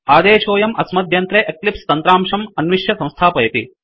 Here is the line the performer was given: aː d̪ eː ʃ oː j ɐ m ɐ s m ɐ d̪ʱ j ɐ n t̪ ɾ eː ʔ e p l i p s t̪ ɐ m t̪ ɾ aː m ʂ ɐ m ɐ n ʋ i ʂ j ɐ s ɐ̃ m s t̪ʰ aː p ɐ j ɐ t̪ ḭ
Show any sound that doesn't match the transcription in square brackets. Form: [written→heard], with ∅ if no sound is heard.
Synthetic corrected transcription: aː d̪ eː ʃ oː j ɐ m ɐ s m ɐ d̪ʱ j ɐ n t̪ ɾ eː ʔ e [p→k] l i p s t̪ ɐ [m→n] t̪ ɾ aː m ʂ ɐ m ɐ n ʋ i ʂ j ɐ s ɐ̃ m s t̪ʰ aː p ɐ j ɐ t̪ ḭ